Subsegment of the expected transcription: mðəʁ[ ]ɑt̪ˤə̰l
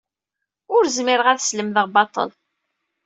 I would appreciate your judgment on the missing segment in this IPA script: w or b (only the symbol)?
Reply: b